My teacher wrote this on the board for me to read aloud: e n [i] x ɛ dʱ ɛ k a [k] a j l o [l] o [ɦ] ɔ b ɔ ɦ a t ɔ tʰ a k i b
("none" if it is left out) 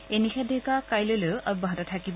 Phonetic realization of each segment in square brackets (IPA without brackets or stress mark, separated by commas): i, k, l, none